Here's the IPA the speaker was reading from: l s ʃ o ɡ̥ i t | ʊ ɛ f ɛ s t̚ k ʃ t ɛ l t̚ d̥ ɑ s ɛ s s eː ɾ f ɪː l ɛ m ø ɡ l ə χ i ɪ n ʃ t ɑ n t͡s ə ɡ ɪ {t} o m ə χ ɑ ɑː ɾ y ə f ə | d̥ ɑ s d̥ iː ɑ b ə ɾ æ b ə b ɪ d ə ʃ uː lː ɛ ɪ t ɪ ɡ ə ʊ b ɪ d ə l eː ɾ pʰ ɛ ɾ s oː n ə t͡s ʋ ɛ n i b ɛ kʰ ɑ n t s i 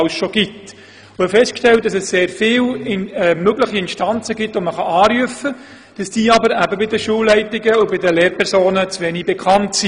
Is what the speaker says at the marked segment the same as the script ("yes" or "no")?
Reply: yes